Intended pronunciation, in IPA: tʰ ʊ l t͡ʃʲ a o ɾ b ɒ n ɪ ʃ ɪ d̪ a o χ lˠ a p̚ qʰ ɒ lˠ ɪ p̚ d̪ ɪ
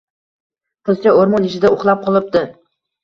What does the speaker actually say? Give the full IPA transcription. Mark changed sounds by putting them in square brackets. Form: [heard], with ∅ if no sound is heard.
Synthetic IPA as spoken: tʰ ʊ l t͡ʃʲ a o ɾ [m] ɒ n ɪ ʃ ɪ d̪ a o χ lˠ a p̚ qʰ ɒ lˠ ɪ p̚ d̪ ɪ

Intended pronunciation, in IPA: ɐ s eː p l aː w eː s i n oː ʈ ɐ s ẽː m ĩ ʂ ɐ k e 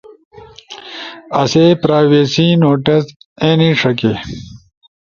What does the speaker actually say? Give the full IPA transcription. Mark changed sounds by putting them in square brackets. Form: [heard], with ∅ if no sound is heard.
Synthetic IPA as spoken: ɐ s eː p [ɾ] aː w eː s i n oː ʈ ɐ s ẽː [n] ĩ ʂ ɐ k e

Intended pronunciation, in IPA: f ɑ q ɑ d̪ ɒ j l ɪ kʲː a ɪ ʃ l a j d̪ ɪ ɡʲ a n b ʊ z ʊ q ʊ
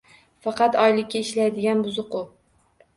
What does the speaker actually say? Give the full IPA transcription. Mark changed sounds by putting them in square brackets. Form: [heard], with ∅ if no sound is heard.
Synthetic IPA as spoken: f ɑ q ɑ [t̪] ɒ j l ɪ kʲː a ɪ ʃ l a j d̪ ɪ ɡʲ a n b ʊ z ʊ q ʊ

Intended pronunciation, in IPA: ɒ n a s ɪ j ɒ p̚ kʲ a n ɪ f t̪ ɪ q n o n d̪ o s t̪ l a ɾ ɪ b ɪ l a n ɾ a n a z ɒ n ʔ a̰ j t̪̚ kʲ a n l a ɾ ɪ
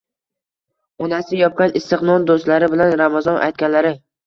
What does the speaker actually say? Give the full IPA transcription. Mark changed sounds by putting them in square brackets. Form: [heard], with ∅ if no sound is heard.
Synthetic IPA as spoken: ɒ n a s ɪ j ɒ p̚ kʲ a n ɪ [s] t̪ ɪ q n [ɒ] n d̪ o s t̪ l a ɾ ɪ b ɪ l a n ɾ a [m] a z ɒ n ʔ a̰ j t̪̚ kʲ a n l a ɾ ɪ

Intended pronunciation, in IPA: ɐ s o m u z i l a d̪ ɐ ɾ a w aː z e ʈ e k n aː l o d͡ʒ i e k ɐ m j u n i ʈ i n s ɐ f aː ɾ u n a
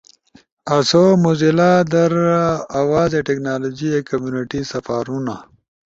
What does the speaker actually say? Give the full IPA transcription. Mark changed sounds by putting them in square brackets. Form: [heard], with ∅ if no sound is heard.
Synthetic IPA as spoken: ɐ s o m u z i l a d̪ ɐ ɾ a w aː z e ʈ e k n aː l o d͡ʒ i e k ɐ m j u n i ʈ i [∅] s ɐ f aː ɾ u n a

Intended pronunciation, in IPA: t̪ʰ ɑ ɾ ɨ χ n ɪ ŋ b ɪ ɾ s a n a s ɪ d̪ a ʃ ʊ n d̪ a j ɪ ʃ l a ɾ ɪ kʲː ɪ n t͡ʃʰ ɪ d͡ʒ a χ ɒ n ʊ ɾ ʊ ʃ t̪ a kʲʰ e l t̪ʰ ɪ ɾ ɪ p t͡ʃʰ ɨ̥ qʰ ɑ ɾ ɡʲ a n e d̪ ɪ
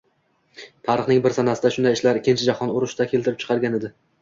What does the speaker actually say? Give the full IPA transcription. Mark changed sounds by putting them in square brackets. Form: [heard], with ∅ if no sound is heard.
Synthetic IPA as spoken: t̪ʰ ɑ ɾ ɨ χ n ɪ ŋ b ɪ ɾ s a n a s ɪ d̪ a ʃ ʊ n d̪ a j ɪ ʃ l a ɾ ɪ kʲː ɪ n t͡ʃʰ ɪ d͡ʒ a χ ɒ n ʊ ɾ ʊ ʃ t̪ a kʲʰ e l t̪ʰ ɪ ɾ ɪ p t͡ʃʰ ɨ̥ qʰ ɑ ɾ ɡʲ a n e d̪ ɪ

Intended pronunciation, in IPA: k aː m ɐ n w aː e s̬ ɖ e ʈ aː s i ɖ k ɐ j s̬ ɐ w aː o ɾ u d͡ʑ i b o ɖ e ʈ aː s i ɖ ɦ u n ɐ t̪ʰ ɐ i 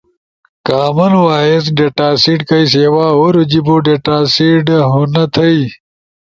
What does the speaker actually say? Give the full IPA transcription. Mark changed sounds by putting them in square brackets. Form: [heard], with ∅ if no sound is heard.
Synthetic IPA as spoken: k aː m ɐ n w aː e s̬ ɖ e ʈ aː s i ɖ k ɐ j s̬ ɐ w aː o ɾ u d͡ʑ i b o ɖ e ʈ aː s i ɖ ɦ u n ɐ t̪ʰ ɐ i

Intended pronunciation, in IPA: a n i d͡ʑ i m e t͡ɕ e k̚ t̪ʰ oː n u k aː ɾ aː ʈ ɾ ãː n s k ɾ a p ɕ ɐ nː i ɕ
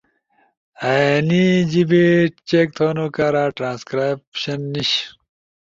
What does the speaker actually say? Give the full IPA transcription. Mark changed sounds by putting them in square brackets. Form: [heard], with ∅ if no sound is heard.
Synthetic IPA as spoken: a n i d͡ʑ i [b] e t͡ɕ e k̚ t̪ʰ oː n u k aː ɾ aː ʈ ɾ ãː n s k ɾ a p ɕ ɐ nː i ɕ

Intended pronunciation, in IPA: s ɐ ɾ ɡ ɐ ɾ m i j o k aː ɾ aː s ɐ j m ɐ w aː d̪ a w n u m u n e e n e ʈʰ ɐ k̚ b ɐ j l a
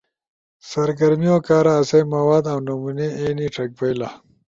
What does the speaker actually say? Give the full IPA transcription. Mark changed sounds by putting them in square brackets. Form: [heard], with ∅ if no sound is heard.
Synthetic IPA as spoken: s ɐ ɾ ɡ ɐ ɾ m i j o k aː ɾ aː s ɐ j m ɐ w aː d̪ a w n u m u n e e n [i] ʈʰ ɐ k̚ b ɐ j l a

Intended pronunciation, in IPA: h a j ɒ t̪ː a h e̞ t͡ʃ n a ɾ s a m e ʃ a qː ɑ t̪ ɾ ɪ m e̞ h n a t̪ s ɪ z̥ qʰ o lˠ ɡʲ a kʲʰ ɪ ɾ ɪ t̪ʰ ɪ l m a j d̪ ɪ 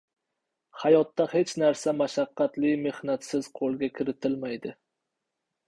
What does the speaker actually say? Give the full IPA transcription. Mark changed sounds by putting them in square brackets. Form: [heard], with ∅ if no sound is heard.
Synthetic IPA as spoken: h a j ɒ t̪ː a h e̞ t͡ʃ n a ɾ s a m [a] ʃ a qː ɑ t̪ [l] ɪ m e̞ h n a t̪ s ɪ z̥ qʰ o lˠ ɡʲ a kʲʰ ɪ ɾ ɪ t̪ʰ ɪ l m a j d̪ ɪ

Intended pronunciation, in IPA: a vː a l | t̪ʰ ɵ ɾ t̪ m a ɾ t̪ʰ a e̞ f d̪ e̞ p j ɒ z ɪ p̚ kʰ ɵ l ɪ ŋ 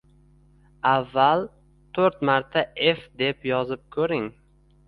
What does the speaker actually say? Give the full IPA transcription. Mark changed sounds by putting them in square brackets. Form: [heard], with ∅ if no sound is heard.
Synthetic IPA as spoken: a vː a l | t̪ʰ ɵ ɾ t̪ m a ɾ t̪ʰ a e̞ f d̪ e̞ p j ɒ z ɪ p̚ kʰ ɵ [ɾ] ɪ ŋ

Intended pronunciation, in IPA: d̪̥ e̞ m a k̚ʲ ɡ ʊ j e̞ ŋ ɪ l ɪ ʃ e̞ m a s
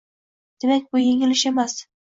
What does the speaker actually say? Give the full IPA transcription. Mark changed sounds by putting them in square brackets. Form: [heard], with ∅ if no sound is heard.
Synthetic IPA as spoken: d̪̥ e̞ m a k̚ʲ [b] ʊ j e̞ ŋ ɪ l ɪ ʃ e̞ m a s

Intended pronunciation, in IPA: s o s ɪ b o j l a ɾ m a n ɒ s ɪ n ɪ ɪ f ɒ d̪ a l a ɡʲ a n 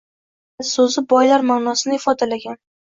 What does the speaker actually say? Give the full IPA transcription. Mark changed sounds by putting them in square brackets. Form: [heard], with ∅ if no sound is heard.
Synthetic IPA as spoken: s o [z] ɪ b [ɒ] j l a ɾ m a n ɒ s ɪ n ɪ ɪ f ɒ d̪ a l a ɡʲ a n

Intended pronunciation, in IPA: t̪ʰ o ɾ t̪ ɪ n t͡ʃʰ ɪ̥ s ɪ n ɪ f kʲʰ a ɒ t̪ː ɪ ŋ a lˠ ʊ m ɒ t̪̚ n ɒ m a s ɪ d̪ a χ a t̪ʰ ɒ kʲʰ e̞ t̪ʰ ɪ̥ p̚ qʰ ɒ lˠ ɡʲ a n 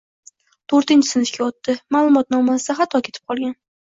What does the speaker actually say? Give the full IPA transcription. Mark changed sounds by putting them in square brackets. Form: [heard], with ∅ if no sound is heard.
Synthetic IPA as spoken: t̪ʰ o ɾ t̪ ɪ n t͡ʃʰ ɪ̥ s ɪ n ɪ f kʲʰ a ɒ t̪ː ɪ [m] a lˠ ʊ m ɒ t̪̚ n ɒ m a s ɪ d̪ a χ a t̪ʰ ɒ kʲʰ e̞ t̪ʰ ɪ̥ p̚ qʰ ɒ lˠ ɡʲ a n

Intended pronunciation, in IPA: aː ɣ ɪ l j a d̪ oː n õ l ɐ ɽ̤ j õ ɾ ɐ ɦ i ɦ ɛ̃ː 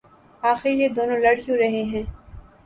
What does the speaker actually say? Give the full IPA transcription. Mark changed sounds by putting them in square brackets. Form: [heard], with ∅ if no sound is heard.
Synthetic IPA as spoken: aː [x] ɪ [ɾ] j [e] d̪ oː n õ l ɐ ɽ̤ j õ ɾ ɐ ɦ [e] ɦ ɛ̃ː

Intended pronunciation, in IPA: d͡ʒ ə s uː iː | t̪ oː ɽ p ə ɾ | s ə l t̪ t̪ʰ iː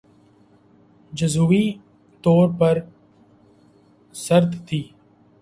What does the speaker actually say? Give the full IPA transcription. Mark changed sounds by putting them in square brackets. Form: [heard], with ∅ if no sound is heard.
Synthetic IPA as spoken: d͡ʒ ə [z] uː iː | t̪ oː [ɾ] p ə ɾ | s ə [ɾ] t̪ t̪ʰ iː

